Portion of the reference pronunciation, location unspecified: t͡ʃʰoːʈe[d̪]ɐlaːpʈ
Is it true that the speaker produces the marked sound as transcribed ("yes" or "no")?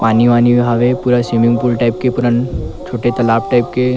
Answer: no